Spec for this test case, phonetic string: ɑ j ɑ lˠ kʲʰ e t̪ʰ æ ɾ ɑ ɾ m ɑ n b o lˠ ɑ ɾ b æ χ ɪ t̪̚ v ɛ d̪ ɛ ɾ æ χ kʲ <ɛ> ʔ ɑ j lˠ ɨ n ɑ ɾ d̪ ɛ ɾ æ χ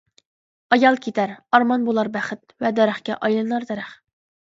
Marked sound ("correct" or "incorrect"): correct